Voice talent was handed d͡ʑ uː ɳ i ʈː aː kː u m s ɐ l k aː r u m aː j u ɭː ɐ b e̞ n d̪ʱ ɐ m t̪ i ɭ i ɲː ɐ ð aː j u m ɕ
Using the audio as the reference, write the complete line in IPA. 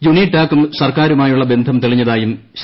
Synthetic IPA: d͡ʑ u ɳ i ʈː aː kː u m s ɐ r k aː ɾ u m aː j u ɭː ɐ b e̞ n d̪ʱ ɐ m t̪ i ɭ i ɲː ɐ ð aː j u m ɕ